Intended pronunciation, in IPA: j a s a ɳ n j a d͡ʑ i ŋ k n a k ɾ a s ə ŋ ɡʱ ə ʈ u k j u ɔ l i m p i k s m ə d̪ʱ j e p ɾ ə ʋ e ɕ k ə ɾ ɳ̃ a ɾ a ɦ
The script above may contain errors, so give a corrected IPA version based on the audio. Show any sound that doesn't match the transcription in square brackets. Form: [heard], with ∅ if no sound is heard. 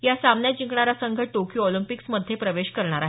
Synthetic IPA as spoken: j a s a [m] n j a d͡ʑ i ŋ k [ɳ] a [∅] ɾ a s ə ŋ ɡʱ ə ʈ [o] k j u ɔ l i m p i k s m ə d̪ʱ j e p ɾ ə ʋ e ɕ k ə ɾ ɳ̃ a ɾ a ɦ